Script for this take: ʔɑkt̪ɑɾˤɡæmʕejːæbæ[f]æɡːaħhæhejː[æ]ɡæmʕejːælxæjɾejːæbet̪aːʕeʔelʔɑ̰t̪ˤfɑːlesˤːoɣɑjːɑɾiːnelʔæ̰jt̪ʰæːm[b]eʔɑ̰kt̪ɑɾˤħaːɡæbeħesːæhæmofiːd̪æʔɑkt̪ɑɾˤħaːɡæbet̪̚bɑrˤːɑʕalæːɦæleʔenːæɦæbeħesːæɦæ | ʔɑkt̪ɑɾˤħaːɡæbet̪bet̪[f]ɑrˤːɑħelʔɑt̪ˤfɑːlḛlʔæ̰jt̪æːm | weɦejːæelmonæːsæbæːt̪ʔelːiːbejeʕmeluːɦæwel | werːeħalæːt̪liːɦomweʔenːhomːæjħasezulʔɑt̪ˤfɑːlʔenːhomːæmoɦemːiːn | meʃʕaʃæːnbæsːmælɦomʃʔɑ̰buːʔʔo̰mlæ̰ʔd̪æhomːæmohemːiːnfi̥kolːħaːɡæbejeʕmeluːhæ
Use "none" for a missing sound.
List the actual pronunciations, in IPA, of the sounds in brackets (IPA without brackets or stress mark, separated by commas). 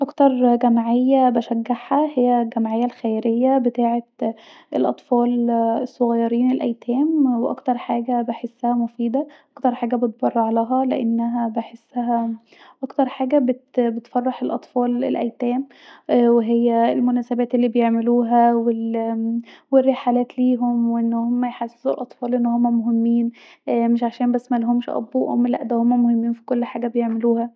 ʃ, æ, w, f